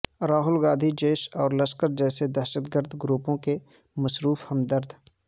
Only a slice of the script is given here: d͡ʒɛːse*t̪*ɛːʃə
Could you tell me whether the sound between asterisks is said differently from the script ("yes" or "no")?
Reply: yes